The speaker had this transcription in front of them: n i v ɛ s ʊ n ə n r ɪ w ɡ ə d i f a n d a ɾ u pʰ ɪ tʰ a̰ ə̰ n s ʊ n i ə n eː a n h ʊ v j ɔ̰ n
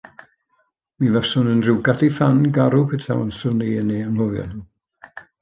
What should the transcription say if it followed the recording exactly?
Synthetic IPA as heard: m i v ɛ s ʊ n ə n r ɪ w ɡ a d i f a n ɡ a ɾ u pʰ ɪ tʰ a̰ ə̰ n s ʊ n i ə n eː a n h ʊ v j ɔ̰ n